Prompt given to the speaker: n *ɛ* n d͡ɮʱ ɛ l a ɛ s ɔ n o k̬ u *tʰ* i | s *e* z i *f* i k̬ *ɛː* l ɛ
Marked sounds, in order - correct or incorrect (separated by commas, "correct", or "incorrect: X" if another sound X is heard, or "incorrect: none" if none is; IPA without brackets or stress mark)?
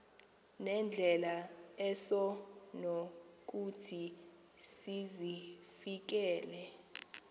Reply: correct, correct, incorrect: i, correct, correct